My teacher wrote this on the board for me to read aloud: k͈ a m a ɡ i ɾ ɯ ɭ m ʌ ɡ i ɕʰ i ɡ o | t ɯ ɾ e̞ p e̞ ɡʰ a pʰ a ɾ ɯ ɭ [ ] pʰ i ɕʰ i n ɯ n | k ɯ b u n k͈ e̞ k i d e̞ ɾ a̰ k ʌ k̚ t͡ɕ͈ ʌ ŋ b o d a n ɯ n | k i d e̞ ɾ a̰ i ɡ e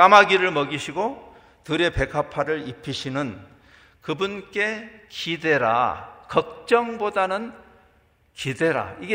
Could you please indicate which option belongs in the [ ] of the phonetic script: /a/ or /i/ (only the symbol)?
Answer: i